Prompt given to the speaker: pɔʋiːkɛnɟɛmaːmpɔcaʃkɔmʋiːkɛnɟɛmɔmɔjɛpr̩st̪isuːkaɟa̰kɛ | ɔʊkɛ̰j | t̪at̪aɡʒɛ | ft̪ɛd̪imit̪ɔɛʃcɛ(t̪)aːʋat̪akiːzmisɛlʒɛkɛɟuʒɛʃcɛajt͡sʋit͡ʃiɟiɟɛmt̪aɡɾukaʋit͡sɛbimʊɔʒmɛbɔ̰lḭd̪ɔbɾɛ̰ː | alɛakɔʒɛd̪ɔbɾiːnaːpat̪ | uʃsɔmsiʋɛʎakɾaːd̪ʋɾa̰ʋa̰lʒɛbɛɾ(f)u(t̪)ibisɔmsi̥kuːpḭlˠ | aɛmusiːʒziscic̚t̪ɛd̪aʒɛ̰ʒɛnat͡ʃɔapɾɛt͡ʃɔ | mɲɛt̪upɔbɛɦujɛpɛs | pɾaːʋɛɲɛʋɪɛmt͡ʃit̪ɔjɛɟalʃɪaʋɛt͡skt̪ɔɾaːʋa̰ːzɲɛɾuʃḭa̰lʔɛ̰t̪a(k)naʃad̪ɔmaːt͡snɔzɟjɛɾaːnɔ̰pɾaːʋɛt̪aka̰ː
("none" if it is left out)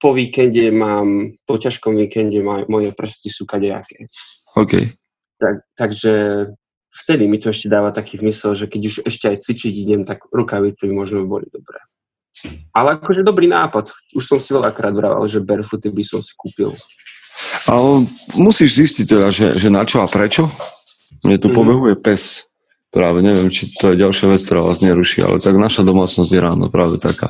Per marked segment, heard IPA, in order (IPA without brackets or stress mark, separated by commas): d̪, f, t̪, ɡ